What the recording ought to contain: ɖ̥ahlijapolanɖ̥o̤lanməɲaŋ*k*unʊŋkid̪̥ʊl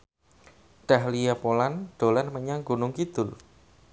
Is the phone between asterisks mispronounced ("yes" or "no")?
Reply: yes